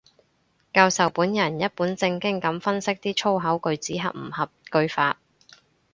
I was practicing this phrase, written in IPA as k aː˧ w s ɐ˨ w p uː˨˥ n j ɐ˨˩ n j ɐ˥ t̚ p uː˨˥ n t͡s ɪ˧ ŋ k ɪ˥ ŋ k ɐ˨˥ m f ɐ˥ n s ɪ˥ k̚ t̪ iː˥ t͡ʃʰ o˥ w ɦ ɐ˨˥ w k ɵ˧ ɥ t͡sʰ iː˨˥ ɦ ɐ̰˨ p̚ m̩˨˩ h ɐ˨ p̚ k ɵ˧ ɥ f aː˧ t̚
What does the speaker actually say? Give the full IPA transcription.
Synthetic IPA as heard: k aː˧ w s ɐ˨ w p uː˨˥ n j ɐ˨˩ n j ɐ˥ t̚ p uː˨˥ n t͡s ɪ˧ ŋ k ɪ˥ ŋ k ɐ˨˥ m f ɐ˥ n s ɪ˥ k̚ t̪ iː˥ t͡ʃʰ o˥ w ɦ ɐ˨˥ w k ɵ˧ ɥ t͡s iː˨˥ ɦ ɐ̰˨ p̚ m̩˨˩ h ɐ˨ p̚ k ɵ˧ ɥ f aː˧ t̚